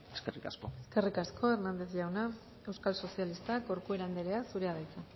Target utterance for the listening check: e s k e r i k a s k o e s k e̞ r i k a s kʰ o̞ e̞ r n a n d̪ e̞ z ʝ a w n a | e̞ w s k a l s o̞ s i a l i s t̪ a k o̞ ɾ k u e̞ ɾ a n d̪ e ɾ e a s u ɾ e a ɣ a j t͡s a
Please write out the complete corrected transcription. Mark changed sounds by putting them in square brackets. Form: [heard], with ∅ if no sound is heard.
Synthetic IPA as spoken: e s k e r i k a s k o e s k e̞ r i k a s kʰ o̞ e̞ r n a n d̪ e̞ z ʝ a w n a | e̞ w s k a l s o̞ s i a l i s t̪ a k o̞ ɾ k u e̞ ɾ a n d̪ e ɾ e a s u ɾ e a [ð] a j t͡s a